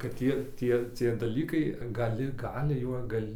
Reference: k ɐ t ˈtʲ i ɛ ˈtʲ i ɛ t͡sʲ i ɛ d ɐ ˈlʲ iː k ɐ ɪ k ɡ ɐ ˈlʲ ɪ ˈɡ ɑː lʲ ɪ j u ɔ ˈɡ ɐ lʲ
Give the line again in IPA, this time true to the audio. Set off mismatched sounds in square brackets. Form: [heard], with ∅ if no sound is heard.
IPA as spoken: k ɐ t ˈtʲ i ɛ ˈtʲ i ɛ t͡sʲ i ɛ d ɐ ˈlʲ iː k ɐ ɪ [∅] ɡ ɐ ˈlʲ ɪ ˈɡ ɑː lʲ ɪ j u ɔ ˈɡ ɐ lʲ